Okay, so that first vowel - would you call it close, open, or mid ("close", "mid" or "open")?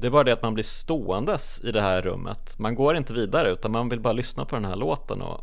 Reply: mid